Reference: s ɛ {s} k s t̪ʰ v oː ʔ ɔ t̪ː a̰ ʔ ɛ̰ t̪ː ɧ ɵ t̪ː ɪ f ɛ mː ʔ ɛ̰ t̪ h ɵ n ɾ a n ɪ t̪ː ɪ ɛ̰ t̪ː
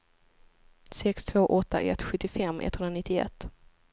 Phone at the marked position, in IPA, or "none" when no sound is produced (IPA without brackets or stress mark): none